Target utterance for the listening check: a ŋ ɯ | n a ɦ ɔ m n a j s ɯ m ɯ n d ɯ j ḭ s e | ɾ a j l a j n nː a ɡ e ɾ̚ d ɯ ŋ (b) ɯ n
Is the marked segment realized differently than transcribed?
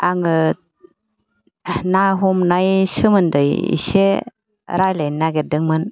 yes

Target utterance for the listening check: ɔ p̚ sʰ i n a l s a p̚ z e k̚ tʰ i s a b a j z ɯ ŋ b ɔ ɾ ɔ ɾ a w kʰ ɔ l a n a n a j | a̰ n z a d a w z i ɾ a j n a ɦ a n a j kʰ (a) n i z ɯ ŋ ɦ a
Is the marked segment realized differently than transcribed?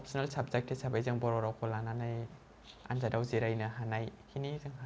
yes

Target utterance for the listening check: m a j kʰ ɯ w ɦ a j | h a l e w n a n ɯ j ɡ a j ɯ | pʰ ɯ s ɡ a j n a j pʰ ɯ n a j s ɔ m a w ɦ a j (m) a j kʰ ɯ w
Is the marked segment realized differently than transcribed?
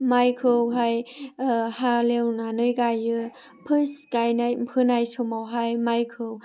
no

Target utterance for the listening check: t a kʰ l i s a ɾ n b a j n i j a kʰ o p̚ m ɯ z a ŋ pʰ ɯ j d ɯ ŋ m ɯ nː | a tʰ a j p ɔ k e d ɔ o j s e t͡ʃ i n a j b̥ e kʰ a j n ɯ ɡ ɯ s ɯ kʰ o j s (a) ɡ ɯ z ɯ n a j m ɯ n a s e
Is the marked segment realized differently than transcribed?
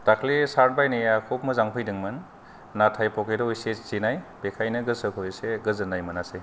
yes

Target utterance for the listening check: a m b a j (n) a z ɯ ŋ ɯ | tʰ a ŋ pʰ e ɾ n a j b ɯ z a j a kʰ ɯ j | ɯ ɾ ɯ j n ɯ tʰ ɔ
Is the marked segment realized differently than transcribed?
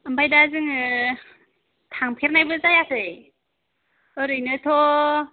yes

